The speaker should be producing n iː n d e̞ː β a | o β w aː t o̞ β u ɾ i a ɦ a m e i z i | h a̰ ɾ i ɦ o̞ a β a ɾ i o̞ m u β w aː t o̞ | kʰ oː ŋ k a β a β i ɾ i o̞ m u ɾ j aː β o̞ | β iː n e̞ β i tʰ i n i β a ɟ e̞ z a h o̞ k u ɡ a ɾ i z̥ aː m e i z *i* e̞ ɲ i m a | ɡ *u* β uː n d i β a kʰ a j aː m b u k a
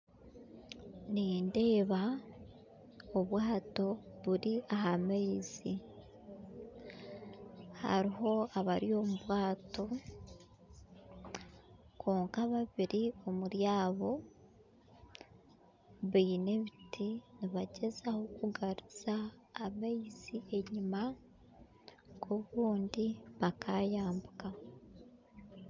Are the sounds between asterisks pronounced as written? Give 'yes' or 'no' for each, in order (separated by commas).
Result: yes, no